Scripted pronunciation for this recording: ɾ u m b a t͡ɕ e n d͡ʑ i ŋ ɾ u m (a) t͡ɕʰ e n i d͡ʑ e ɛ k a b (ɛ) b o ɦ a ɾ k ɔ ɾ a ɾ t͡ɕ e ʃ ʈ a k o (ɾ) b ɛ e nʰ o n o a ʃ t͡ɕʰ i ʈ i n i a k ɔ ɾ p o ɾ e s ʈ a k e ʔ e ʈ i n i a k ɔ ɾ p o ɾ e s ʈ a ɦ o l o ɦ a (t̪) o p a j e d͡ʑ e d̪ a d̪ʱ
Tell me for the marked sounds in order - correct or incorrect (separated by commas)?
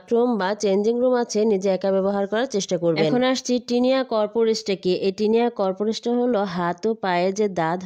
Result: correct, correct, correct, correct